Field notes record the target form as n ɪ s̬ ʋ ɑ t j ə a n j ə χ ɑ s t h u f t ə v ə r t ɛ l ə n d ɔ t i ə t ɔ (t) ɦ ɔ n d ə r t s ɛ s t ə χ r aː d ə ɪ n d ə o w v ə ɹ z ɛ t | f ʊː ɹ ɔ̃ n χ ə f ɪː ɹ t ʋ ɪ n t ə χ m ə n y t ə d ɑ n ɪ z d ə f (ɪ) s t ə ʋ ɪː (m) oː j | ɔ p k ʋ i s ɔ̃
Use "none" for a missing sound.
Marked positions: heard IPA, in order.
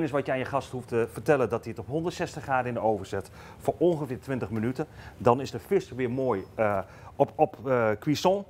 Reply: p, ɪ, m

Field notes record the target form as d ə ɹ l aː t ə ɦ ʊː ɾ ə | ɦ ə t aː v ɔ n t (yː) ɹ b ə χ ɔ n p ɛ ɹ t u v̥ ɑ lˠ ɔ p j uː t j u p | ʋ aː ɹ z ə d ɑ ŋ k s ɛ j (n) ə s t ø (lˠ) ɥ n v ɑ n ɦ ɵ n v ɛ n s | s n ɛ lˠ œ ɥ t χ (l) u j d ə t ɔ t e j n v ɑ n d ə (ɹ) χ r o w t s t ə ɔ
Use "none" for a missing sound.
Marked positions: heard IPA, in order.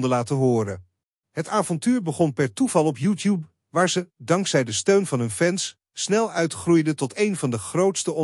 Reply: yː, d, none, r, none

